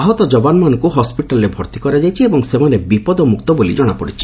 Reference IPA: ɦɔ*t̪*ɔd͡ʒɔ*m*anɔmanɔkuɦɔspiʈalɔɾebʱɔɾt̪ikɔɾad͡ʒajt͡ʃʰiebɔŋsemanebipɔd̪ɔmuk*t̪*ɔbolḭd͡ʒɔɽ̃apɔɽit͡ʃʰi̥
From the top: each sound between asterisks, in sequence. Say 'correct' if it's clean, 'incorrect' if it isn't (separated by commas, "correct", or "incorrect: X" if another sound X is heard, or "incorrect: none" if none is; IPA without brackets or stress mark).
correct, incorrect: b, correct